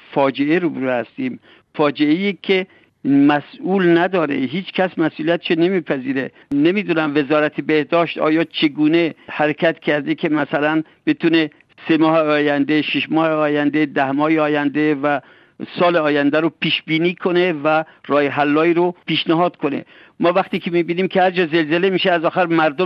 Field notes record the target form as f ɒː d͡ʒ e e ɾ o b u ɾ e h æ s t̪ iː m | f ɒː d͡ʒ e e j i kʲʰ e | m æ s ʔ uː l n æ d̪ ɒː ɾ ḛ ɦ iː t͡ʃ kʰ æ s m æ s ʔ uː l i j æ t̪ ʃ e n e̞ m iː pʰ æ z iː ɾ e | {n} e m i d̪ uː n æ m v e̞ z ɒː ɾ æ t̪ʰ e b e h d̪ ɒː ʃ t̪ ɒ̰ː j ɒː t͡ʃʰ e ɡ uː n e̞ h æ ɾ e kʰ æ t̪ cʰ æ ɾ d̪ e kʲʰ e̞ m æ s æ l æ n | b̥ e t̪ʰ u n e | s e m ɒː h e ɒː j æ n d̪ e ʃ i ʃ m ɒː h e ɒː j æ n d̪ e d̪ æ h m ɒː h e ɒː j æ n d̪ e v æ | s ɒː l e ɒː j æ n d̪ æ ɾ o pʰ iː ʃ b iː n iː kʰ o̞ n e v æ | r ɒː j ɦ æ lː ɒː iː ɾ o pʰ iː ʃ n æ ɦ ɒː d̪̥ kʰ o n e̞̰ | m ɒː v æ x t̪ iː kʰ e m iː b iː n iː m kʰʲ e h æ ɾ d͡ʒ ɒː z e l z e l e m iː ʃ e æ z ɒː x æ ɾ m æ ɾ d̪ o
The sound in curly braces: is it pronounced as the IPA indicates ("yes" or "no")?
yes